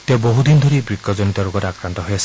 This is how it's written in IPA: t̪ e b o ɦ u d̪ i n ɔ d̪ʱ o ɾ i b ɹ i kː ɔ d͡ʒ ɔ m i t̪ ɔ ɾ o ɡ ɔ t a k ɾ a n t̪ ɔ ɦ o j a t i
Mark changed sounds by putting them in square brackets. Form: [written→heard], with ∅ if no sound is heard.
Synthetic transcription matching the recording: t̪ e b o ɦ u d̪ i n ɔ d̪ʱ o ɾ i b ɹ i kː ɔ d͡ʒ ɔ [m→n] i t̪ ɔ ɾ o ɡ ɔ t a k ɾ a n t̪ ɔ ɦ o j a [t→s] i